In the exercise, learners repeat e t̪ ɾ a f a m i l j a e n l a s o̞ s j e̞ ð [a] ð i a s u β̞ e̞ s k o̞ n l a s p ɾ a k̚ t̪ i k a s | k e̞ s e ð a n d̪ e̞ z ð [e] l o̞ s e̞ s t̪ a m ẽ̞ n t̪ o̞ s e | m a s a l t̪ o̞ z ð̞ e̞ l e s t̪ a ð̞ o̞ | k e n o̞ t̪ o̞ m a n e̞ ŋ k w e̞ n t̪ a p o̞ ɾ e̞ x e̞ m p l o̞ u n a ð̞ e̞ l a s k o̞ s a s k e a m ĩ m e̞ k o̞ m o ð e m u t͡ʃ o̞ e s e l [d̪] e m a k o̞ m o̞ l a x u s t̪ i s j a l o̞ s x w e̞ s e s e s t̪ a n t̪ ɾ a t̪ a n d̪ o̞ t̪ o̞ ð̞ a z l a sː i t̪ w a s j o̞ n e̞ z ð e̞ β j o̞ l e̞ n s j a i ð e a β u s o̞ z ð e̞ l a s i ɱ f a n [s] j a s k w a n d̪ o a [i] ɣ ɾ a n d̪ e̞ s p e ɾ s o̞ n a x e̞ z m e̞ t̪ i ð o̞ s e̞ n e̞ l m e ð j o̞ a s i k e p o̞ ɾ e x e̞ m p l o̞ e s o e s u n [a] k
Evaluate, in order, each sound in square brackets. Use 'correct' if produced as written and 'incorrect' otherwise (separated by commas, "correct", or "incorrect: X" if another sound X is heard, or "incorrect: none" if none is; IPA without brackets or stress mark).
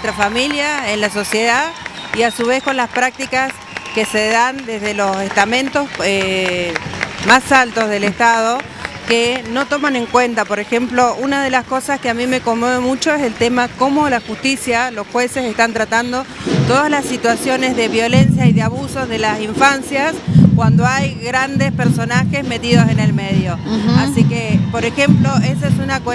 correct, correct, incorrect: t̪, correct, incorrect: j, correct